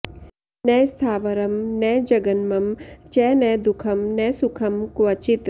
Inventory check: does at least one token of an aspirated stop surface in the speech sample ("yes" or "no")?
yes